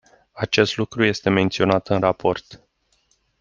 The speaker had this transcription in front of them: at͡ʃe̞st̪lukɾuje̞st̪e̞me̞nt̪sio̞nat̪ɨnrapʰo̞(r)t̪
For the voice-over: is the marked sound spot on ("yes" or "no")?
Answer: yes